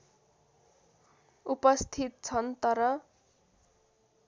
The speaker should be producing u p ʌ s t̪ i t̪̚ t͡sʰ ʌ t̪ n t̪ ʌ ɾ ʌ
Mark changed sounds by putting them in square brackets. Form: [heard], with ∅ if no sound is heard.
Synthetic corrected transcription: u p ʌ s [t̪ʰ] i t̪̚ t͡sʰ ʌ [∅] n t̪ ʌ ɾ ʌ